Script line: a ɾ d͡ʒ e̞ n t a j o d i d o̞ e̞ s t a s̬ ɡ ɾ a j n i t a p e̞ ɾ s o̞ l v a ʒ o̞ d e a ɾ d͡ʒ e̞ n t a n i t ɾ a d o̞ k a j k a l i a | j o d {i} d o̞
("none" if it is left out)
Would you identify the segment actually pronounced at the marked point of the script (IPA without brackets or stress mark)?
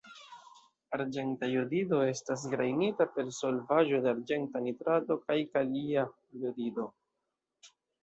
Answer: i